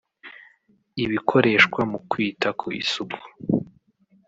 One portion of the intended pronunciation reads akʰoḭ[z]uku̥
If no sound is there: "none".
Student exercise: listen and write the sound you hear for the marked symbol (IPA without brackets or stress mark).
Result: s